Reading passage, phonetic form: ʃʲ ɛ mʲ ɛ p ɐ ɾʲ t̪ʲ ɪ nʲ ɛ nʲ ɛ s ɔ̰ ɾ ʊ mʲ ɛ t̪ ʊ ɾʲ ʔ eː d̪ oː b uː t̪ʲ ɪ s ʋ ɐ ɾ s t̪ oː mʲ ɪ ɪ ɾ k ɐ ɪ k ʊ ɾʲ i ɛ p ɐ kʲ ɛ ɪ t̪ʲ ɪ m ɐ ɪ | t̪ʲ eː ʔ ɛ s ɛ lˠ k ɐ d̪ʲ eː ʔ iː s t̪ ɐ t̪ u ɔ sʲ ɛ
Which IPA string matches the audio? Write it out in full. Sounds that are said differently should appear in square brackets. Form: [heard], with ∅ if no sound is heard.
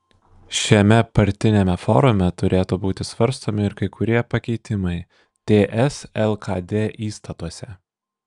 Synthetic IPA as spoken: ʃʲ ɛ mʲ ɛ p ɐ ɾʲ t̪ʲ ɪ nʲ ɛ [mʲ] ɛ [f] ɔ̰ ɾ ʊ mʲ ɛ t̪ ʊ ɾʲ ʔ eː [t̪] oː b uː t̪ʲ ɪ s ʋ ɐ ɾ s t̪ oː mʲ ɪ ɪ ɾ k ɐ ɪ k ʊ ɾʲ i ɛ p ɐ kʲ ɛ ɪ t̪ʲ ɪ m ɐ ɪ | t̪ʲ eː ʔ ɛ s ɛ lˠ k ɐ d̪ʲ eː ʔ iː s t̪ ɐ t̪ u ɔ sʲ ɛ